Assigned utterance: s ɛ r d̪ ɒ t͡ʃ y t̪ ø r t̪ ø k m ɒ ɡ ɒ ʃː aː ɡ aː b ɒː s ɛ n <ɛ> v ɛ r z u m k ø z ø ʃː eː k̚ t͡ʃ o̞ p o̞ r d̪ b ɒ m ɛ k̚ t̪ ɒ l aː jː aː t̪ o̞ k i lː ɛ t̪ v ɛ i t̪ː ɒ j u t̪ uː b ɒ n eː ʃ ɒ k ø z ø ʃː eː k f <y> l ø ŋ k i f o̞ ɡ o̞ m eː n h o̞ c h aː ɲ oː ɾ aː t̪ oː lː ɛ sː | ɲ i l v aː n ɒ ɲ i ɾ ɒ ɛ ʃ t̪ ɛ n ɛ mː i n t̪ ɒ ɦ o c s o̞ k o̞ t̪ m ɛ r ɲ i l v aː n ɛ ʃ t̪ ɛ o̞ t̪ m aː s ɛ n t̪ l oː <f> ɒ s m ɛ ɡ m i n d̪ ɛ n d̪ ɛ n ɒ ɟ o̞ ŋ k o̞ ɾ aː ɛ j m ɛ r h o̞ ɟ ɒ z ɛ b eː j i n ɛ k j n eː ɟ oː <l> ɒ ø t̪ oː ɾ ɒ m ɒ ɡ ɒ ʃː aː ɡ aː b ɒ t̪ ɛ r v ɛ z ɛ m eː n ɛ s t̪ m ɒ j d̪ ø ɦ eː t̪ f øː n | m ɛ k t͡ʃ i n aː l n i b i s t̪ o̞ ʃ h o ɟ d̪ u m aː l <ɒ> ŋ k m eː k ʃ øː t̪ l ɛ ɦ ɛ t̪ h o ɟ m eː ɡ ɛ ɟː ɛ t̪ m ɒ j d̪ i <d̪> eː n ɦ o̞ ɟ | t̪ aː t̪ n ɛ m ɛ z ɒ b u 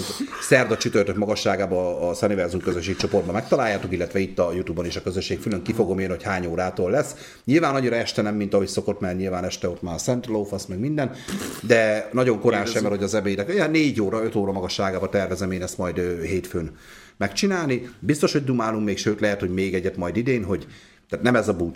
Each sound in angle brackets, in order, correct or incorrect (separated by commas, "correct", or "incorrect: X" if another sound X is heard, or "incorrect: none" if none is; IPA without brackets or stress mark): incorrect: i, correct, correct, incorrect: ɾ, incorrect: u, correct